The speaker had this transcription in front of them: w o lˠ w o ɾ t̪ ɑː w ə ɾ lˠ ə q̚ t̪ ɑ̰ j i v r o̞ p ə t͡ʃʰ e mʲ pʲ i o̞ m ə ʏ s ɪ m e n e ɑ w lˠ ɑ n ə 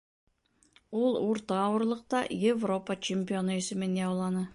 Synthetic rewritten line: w o lˠ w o ɾ t̪ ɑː w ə ɾ lˠ ə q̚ t̪ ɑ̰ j e v r o̞ p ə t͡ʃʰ e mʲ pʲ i o̞ n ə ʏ s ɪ m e n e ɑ w lˠ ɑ n ə